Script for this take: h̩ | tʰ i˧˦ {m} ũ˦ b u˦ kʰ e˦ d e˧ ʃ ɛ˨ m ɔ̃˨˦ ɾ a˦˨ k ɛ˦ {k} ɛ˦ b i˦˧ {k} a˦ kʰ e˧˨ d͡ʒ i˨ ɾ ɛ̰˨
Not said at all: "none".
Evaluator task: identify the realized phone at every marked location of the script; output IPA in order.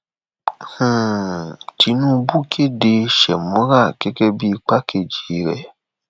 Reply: n, k, k͡p

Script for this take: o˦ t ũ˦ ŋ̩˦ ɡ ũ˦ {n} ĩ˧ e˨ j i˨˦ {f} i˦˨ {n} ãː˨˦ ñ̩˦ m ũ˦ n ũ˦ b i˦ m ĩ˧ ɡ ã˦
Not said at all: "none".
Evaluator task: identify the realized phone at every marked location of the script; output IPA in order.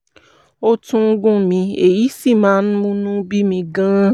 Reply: m, s, m

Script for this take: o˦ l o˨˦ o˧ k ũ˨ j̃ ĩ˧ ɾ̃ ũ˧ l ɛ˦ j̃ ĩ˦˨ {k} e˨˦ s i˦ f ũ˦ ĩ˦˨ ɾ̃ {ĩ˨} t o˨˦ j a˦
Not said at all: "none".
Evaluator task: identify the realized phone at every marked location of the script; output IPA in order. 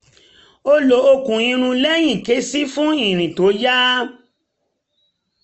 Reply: k, ĩ˨

